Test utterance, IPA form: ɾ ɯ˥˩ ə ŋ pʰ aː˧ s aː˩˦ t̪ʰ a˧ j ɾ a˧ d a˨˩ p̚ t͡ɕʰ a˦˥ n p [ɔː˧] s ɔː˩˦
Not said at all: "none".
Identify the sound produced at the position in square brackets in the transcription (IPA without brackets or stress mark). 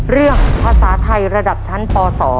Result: ɔː˧